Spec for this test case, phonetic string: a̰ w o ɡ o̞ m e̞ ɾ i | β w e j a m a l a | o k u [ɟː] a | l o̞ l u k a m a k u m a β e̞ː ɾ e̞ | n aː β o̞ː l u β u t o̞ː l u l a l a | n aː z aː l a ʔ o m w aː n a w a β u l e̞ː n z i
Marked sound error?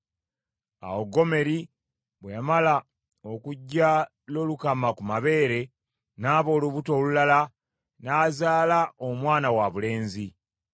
no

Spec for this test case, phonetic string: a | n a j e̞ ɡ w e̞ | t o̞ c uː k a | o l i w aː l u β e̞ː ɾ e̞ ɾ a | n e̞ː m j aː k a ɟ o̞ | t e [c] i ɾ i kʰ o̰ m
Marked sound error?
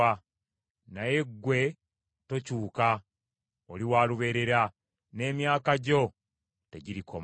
yes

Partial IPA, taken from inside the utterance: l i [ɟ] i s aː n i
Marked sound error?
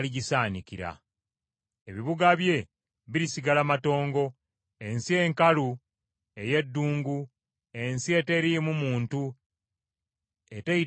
no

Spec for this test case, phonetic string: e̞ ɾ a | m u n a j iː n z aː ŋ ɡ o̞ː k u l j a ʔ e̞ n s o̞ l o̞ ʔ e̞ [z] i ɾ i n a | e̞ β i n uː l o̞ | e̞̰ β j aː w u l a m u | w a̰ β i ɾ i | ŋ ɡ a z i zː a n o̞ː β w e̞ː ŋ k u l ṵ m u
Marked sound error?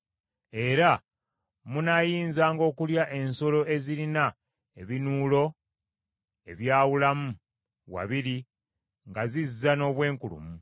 no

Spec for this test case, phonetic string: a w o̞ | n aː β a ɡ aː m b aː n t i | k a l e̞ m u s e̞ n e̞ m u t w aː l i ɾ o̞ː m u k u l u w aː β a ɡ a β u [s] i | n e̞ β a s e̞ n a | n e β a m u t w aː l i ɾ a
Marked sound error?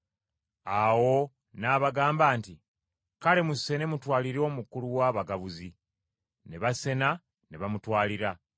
yes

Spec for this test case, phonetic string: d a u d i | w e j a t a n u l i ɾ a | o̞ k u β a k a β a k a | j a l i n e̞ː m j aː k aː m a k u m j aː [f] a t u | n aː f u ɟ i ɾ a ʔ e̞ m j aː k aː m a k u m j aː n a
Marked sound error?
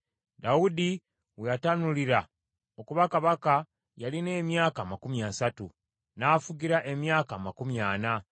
yes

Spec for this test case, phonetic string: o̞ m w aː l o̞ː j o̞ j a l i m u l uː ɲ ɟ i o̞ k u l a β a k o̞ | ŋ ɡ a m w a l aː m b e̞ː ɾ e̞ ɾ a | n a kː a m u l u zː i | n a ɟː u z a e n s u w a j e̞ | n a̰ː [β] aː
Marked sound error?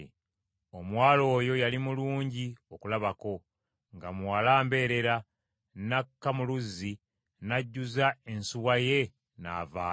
yes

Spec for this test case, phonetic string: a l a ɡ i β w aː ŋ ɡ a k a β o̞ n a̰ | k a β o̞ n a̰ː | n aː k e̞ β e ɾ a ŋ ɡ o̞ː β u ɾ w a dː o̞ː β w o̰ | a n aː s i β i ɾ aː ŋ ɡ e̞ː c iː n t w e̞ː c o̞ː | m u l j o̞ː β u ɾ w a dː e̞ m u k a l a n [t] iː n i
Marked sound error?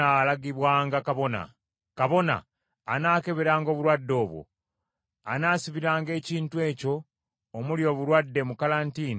no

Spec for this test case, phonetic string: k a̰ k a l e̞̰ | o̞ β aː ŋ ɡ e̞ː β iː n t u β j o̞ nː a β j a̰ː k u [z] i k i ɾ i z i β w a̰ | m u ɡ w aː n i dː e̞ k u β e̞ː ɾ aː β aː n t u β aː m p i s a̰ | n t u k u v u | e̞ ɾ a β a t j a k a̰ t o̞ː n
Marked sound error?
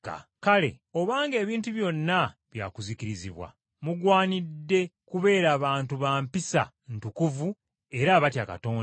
no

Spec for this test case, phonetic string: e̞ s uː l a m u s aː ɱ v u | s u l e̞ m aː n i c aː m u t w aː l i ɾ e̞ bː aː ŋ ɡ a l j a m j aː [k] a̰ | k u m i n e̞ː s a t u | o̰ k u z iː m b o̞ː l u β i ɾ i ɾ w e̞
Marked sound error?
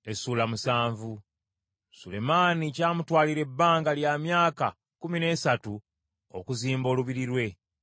no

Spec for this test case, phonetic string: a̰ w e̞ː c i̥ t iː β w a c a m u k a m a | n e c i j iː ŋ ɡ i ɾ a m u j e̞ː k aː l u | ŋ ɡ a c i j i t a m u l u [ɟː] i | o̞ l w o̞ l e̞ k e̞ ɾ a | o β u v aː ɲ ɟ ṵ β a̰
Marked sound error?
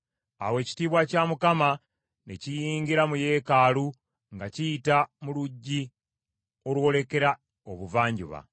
no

